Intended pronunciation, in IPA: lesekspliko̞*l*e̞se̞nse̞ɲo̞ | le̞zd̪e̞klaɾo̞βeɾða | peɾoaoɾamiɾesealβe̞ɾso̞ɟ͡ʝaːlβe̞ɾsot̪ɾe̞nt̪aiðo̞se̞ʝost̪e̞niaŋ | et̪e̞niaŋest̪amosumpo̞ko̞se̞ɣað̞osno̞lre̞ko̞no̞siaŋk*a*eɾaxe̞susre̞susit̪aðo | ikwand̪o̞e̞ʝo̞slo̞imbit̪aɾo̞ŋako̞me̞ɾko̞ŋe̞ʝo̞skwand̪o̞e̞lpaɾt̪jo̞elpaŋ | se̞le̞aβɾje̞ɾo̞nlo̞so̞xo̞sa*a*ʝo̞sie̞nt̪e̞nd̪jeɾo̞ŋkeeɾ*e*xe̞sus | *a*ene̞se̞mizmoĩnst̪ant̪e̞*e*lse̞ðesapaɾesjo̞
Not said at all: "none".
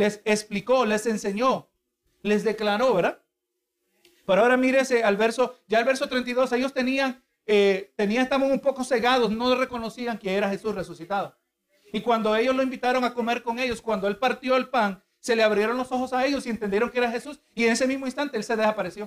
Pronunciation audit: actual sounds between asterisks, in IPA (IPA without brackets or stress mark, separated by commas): l, e, e, a, i, e